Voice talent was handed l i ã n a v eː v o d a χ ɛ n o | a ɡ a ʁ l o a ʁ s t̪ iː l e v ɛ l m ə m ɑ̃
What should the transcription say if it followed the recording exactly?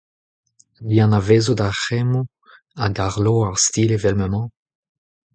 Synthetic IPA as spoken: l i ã n a v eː z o d a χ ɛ m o | a ɡ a ʁ l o a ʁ s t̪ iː l e v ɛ l m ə m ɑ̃